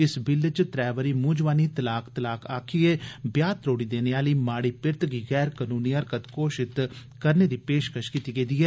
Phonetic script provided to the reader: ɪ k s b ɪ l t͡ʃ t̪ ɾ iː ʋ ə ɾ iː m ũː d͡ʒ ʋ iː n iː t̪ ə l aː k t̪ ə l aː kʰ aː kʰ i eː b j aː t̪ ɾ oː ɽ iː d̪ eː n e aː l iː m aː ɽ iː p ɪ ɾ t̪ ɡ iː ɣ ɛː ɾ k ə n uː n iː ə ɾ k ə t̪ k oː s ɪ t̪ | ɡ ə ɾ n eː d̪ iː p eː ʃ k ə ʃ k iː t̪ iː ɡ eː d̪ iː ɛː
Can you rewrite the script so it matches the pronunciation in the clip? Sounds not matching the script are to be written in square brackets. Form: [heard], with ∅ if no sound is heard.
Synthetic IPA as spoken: ɪ [∅] s b ɪ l t͡ʃ t̪ ɾ [ɛː] ʋ ə ɾ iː m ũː d͡ʒ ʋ [aː] n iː t̪ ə l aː k t̪ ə l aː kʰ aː kʰ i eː b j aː t̪ ɾ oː ɽ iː d̪ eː n e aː l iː m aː ɽ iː p ɪ ɾ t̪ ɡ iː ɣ ɛː ɾ k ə n uː n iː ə ɾ k ə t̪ k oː [ʃ] ɪ t̪ | [k] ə ɾ n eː d̪ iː p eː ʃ k ə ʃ k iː t̪ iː ɡ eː d̪ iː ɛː